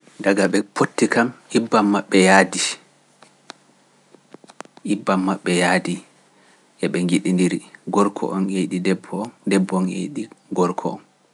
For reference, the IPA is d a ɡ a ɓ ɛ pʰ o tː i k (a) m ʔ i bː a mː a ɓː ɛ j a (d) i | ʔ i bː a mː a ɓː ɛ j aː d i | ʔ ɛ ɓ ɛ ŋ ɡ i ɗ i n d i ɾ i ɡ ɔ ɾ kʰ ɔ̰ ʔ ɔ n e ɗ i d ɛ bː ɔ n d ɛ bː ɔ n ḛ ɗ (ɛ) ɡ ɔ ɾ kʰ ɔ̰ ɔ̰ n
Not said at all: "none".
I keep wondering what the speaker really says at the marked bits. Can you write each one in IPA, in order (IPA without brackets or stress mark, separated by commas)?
a, d, i